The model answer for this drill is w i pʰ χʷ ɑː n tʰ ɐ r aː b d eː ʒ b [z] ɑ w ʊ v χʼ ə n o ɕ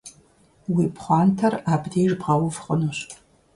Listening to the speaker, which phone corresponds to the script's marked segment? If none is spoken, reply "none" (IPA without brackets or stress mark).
ʁ